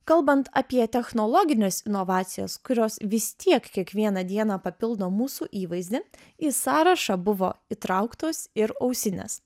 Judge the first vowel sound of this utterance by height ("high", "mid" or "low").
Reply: low